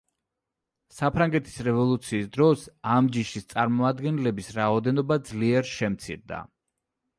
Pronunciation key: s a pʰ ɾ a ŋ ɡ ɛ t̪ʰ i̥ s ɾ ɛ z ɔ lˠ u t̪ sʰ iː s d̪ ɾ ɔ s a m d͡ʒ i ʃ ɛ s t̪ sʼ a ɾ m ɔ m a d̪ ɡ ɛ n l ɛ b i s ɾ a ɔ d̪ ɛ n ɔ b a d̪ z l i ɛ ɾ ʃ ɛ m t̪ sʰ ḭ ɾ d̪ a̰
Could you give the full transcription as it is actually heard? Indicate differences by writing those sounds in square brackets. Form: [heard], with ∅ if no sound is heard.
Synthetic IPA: s a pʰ ɾ a ŋ ɡ ɛ t̪ʰ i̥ s ɾ ɛ [v] ɔ lˠ u t̪ sʰ iː s d̪ ɾ ɔ s a m d͡ʒ i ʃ [i] s t̪ sʼ a ɾ m ɔ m a d̪ ɡ ɛ n l ɛ b i s ɾ a ɔ d̪ ɛ n ɔ b a d̪ z l i ɛ ɾ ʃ ɛ m t̪ sʰ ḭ ɾ d̪ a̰